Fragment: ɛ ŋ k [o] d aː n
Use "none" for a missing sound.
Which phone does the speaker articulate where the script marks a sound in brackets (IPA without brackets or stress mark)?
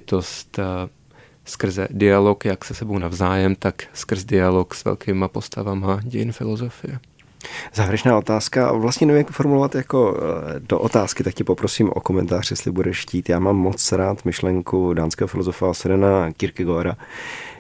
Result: u